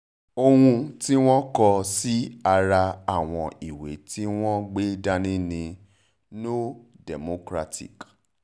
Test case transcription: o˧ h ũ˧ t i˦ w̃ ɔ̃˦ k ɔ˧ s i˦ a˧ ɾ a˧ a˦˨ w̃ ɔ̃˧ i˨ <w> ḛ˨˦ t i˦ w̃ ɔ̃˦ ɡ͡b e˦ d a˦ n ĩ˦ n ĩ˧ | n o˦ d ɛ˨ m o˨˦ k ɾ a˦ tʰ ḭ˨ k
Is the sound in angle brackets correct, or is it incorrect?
correct